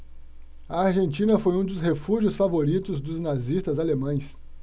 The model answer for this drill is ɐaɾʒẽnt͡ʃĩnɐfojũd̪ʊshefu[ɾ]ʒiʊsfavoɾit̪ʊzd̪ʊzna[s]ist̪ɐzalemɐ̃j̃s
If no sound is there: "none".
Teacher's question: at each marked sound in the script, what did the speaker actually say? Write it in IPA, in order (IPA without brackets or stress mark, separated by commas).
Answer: none, z